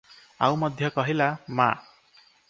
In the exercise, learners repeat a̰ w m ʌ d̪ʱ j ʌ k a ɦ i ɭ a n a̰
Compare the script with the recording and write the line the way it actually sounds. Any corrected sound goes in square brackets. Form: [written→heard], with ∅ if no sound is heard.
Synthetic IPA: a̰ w m ʌ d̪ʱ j ʌ k [a→ʌ] ɦ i [ɭ→l] a [n→m] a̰